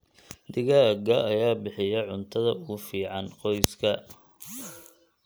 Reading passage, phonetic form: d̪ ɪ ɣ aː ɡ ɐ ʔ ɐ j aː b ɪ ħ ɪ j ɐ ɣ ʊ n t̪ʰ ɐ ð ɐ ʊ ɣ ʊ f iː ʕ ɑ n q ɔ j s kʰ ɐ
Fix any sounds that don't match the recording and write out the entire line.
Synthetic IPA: d̪ ɪ ɣ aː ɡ ɐ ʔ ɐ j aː b ɪ ħ ɪ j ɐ ʕ ʊ n t̪ʰ ɐ ð ɐ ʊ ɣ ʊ f iː ʕ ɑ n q ɔ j s kʰ ɐ